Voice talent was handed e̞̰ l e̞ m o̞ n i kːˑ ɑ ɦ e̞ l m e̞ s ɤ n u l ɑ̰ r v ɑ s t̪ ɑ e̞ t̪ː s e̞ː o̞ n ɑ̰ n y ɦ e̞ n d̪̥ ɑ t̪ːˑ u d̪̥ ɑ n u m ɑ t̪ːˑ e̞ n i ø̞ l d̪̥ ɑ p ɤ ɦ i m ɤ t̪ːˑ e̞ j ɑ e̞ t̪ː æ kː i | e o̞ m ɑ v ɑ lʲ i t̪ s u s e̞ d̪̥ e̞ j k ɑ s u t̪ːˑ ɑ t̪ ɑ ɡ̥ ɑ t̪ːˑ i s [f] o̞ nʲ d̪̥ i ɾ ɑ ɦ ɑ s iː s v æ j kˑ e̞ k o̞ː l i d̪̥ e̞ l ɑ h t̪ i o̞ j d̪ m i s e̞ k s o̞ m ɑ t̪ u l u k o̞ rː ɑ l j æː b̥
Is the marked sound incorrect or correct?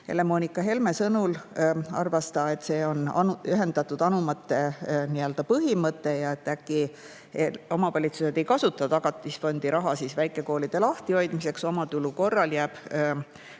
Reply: correct